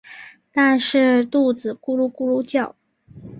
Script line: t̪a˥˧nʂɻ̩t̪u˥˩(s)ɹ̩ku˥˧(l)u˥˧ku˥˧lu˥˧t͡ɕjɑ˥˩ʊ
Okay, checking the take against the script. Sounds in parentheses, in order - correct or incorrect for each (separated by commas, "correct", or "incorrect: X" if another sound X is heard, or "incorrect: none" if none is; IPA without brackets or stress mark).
incorrect: t͡s, correct